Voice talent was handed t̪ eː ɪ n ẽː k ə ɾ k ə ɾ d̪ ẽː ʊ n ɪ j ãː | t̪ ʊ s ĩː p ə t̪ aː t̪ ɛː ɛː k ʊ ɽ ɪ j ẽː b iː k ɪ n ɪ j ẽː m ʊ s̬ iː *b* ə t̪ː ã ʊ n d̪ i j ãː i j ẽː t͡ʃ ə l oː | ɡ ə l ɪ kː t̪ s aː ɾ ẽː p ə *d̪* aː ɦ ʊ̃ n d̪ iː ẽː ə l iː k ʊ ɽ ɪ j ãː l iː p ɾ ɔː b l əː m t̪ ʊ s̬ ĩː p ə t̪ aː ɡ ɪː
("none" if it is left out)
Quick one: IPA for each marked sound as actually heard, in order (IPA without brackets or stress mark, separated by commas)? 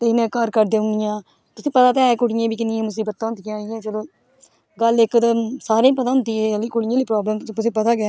b, t̪